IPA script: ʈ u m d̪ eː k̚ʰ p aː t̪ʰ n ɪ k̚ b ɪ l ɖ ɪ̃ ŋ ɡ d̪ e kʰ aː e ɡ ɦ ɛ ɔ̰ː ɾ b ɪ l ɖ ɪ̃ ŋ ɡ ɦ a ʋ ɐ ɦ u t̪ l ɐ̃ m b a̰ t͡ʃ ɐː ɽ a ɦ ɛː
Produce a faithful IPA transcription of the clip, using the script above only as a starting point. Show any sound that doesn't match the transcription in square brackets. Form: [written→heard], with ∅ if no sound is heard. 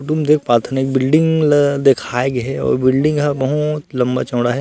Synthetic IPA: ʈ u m d̪ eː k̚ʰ p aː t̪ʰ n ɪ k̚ b ɪ l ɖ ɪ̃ ŋ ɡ d̪ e kʰ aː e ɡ ɦ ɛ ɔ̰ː ɾ b ɪ l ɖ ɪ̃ ŋ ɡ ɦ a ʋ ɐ ɦ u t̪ l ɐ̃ m b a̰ t͡ʃ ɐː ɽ a ɦ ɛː